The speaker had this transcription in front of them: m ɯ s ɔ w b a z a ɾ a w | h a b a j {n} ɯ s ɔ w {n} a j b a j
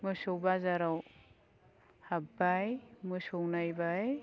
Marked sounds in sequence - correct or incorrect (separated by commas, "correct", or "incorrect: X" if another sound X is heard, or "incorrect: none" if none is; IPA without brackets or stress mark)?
incorrect: m, correct